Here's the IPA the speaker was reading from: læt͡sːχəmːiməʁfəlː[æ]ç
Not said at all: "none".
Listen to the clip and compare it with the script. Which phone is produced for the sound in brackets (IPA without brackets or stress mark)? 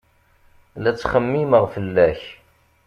æ